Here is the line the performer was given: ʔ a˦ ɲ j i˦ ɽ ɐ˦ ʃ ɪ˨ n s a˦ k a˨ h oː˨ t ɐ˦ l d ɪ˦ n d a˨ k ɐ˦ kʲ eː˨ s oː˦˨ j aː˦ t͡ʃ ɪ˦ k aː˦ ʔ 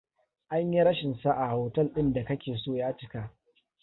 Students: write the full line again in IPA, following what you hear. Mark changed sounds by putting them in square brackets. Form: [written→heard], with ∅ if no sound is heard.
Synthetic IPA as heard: ʔ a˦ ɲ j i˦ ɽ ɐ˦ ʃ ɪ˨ n s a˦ [k→ʔ] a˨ h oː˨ t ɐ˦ l [d→ɗ] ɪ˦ n d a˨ k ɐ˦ kʲ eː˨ s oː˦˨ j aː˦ t͡ʃ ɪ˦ k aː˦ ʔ